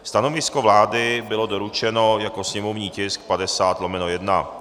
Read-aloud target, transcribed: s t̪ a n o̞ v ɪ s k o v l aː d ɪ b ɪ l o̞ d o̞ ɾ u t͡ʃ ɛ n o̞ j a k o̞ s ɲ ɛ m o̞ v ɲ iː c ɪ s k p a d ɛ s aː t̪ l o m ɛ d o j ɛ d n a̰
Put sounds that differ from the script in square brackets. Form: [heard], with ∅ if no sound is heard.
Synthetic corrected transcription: s t̪ a n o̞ v ɪ s k o v l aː d ɪ b ɪ l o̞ d o̞ ɾ u t͡ʃ ɛ n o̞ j a k o̞ s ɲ ɛ m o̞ v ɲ iː c ɪ s k p a d ɛ s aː t̪ l o m ɛ [n] o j ɛ d n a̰